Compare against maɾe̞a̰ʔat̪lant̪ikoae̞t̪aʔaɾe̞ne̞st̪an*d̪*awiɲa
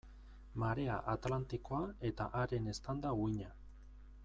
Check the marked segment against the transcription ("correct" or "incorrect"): correct